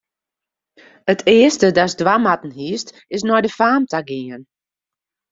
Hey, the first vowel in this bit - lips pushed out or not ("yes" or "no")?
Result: no